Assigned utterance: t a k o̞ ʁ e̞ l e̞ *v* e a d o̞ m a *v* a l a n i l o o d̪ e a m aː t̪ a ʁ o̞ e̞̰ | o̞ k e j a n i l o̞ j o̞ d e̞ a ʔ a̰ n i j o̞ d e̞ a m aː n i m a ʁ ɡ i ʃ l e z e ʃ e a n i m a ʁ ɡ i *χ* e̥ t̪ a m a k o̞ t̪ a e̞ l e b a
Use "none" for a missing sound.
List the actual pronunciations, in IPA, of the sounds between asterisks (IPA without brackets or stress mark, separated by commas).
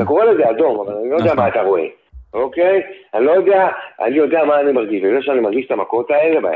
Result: z, v, ʃ